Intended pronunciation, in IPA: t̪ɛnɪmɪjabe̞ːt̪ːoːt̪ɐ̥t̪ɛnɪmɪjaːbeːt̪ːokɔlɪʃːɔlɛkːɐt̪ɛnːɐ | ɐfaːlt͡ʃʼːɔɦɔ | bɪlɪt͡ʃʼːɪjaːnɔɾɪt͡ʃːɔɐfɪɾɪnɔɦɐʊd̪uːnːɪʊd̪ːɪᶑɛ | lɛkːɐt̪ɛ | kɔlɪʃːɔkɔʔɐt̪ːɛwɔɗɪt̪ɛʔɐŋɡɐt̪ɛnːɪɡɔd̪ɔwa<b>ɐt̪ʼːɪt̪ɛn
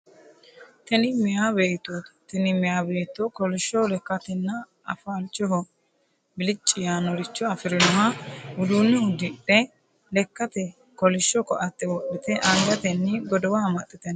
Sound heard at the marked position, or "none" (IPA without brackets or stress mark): m